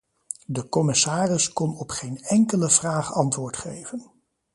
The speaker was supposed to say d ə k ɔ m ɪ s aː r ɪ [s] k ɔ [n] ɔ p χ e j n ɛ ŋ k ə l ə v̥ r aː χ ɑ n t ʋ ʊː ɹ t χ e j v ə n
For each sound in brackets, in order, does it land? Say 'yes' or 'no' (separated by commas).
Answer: yes, yes